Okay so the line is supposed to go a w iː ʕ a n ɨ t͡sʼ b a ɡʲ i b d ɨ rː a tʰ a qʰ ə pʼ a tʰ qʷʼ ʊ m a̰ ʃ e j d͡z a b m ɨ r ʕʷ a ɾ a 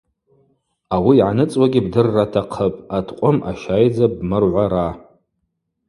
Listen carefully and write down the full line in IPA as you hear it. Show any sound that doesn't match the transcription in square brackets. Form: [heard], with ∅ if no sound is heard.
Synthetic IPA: a w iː ʕ a n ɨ t͡sʼ [w] a ɡʲ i b d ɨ rː a tʰ a qʰ ə pʼ a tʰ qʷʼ ʊ m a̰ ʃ [a] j d͡z a b m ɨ r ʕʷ a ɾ a